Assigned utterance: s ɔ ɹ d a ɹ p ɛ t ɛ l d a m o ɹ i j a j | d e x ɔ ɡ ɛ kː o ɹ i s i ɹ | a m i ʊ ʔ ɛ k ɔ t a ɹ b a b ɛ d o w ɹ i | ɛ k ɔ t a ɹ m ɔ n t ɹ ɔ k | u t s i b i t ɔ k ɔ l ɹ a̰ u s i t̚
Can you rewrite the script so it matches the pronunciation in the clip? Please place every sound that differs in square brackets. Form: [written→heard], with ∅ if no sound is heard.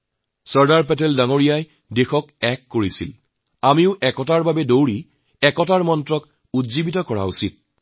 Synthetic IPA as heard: s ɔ ɹ d a ɹ p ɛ t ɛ l d a [m→ŋ] o ɹ i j a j | d e x ɔ [ɡ→k] ɛ kː o ɹ i s i [ɹ→l] | a m i ʊ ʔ ɛ k ɔ t a ɹ b a b ɛ d o w ɹ i | ɛ k ɔ t a ɹ m ɔ n t ɹ ɔ k | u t [s→z] i b i t ɔ k ɔ [l→∅] ɹ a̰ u s i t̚